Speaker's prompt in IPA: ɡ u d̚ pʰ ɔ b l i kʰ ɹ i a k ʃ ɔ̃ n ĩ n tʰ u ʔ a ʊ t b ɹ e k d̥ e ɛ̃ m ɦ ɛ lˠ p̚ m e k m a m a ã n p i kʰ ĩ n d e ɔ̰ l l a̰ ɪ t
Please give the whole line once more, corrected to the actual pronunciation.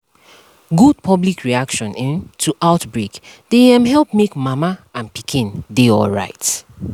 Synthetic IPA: ɡ u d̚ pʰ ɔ b l i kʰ ɹ i a k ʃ ɔ̃ n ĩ n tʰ u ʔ a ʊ t b ɹ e k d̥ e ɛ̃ m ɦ ɛ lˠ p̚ m e k m a m a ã n p i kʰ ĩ n d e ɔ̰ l ɹ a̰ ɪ t